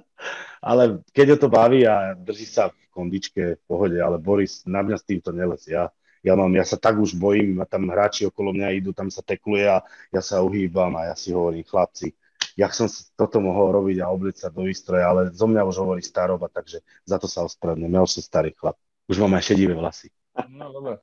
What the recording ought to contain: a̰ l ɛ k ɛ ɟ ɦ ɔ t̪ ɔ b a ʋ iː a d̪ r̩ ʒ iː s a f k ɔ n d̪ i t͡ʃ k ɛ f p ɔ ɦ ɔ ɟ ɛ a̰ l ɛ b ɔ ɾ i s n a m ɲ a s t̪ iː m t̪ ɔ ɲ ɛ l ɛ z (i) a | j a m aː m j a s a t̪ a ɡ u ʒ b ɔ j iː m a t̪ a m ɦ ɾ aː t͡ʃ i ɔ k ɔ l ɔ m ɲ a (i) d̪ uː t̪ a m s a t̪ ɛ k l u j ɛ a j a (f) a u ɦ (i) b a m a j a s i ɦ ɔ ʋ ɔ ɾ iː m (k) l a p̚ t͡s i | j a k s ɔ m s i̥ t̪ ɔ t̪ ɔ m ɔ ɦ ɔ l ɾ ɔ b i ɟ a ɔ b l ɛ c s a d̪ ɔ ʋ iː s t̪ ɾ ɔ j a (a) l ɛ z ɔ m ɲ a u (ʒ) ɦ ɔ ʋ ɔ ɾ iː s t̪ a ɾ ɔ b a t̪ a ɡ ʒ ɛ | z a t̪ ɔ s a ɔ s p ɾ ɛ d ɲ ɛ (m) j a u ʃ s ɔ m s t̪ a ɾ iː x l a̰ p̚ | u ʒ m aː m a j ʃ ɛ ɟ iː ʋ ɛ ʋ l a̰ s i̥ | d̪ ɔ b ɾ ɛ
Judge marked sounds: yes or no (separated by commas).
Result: no, yes, no, no, no, yes, yes, yes